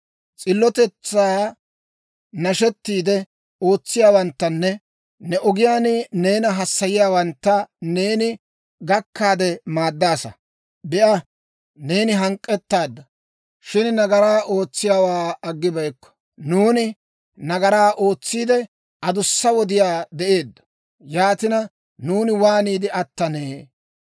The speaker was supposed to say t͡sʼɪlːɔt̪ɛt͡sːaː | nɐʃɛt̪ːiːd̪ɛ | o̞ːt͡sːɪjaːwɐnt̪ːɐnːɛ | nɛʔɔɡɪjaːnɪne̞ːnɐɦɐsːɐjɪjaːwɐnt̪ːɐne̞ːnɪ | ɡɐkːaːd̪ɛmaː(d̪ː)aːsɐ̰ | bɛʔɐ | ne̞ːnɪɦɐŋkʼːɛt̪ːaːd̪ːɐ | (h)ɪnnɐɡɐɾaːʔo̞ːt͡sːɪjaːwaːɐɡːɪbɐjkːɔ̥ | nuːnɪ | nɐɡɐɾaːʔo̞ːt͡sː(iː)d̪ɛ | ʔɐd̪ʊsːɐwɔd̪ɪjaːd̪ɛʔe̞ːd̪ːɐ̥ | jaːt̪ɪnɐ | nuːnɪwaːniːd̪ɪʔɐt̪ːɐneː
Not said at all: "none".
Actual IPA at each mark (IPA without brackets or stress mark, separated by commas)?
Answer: d̪ː, ʃ, iː